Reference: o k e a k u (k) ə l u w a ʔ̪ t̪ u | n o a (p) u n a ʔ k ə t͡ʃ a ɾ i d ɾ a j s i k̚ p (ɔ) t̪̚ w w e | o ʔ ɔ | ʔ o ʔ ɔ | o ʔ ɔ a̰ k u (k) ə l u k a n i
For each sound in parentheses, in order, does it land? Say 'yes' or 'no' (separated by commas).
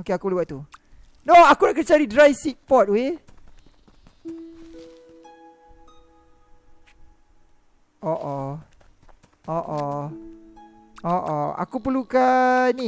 no, no, yes, no